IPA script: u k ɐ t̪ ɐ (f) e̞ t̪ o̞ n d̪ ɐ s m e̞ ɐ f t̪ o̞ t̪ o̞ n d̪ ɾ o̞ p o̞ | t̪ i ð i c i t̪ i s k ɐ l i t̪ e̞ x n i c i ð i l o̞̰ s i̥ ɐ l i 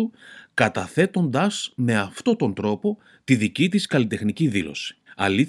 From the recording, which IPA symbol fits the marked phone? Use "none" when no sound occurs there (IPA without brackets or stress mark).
θ